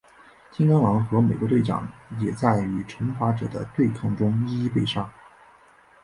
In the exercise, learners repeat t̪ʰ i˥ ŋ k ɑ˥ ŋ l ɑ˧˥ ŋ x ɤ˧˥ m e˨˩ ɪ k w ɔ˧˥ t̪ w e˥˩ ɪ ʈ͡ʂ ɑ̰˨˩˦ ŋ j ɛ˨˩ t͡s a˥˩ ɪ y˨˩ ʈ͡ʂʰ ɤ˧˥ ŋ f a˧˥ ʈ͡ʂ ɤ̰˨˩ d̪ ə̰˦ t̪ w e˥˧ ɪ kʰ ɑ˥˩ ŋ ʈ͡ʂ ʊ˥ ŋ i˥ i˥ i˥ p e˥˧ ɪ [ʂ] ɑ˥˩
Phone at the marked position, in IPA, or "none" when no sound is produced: ʂ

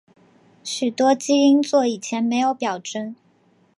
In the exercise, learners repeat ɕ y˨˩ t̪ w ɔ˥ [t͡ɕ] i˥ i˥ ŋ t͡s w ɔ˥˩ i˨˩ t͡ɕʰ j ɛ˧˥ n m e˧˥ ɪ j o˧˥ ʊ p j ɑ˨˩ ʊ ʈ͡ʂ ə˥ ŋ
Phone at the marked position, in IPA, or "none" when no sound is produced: t͡ɕ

